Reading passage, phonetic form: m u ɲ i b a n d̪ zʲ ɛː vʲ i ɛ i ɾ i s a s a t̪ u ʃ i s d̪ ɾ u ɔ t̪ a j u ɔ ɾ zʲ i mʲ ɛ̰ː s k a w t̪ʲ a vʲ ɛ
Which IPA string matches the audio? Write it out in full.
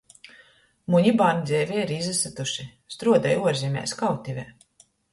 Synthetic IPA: m u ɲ i b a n d̪ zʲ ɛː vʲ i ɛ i ɾ i z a s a t̪ u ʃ i s t̪ ɾ u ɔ d̪ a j u ɔ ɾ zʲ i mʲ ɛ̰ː s k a w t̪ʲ i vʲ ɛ